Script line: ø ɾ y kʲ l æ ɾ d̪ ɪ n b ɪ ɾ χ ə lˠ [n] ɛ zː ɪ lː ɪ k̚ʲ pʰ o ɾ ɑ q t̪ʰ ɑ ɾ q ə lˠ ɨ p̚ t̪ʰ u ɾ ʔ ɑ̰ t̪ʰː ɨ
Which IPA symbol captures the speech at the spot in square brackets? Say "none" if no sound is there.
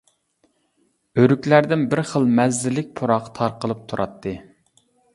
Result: m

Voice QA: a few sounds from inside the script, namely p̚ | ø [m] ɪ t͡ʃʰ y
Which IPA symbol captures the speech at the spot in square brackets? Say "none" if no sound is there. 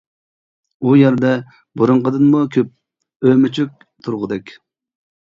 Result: m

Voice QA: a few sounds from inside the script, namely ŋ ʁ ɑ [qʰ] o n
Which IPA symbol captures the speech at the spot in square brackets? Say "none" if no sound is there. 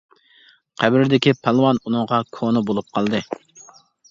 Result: kʰ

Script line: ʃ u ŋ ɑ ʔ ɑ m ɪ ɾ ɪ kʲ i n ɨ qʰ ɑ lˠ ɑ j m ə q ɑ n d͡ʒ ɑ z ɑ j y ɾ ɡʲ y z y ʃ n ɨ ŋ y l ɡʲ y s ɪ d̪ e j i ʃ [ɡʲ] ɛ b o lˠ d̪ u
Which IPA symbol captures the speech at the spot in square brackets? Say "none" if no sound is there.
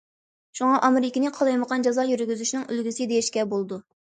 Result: kʲ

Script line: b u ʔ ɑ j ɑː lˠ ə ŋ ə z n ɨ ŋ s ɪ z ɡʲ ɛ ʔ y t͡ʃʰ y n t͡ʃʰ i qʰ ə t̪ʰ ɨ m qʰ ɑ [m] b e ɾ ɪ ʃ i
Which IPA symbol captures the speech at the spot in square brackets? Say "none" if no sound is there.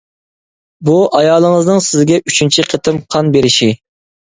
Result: n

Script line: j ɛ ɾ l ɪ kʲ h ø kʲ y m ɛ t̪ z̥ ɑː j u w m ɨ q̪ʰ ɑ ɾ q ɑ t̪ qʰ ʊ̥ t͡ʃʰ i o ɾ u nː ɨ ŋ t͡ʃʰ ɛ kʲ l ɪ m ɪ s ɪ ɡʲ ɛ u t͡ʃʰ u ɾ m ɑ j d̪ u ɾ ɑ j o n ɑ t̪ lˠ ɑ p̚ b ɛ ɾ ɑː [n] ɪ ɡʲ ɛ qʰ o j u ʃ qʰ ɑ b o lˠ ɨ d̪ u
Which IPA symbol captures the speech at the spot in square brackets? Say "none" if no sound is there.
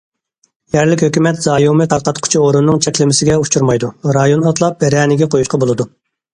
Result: n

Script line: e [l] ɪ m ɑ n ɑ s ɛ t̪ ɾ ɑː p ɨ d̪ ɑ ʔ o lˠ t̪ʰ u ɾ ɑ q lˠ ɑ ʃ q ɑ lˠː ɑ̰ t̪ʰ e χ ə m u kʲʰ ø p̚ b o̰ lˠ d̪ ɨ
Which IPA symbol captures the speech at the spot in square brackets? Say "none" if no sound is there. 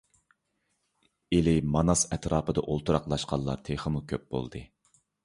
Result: l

